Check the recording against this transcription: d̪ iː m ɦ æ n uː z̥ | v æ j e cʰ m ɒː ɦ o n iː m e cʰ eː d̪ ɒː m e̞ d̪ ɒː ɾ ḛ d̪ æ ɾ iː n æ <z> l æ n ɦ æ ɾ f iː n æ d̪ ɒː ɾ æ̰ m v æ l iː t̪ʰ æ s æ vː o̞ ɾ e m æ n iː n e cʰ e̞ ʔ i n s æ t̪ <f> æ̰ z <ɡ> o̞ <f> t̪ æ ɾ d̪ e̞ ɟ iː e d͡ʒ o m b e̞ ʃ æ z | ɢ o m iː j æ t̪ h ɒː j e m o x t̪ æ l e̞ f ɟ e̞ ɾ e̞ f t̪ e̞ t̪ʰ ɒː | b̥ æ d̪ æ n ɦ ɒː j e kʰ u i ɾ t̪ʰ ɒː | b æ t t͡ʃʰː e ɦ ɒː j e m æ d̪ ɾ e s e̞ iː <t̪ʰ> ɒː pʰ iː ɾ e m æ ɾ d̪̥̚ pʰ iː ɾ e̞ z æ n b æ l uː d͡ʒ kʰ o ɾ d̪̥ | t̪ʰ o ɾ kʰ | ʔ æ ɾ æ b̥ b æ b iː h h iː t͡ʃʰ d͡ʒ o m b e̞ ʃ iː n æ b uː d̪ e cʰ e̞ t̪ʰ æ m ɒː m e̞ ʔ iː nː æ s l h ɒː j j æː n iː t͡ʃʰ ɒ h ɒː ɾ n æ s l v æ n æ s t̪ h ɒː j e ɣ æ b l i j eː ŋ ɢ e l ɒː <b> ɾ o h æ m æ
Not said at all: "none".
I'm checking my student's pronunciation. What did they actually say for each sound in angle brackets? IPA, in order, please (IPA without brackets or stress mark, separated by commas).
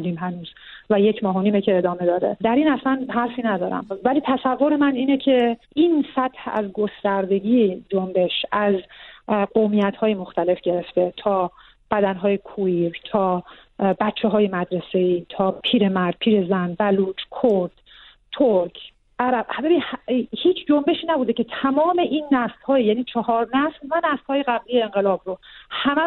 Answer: s, h, ɡ, s, t̪ʰ, b